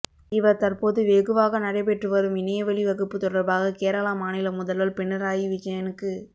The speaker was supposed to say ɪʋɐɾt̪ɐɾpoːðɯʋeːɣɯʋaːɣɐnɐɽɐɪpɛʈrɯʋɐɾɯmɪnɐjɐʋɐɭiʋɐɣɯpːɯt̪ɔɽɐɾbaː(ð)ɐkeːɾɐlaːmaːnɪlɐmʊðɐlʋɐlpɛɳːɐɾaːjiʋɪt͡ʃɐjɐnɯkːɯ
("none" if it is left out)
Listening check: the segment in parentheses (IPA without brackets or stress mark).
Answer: ɣ